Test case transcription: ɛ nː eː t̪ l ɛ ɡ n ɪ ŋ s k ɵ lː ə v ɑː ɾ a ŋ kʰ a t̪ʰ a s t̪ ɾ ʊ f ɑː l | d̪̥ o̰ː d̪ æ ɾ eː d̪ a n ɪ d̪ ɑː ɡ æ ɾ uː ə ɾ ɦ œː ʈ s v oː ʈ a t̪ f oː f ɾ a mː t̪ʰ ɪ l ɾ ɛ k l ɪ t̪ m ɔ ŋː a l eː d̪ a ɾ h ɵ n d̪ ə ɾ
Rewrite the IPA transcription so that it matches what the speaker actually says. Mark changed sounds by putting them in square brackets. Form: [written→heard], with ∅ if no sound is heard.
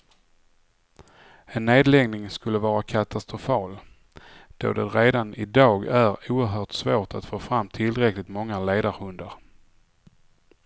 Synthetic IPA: ɛ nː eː [t̪→d̪] l ɛ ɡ n ɪ ŋ s k ɵ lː ə v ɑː ɾ a [ŋ→∅] kʰ a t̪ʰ a s t̪ ɾ ʊ f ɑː l | d̪̥ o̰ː d̪ [æ→ɛ] ɾ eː d̪ a n ɪ d̪ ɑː ɡ æ ɾ uː ə ɾ ɦ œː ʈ s v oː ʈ a t̪ f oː f ɾ a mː t̪ʰ ɪ l ɾ ɛ k l ɪ t̪ m ɔ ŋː a l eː d̪ a ɾ h ɵ n d̪ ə ɾ